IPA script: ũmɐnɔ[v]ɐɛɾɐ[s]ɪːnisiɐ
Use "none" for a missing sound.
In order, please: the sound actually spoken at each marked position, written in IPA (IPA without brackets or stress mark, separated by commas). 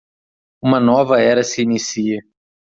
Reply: v, s